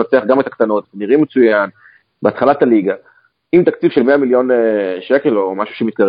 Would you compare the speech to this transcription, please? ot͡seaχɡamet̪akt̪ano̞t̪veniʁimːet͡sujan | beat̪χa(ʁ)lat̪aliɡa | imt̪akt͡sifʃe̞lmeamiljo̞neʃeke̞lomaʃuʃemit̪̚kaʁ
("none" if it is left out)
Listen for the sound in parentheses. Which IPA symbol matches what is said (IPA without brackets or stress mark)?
none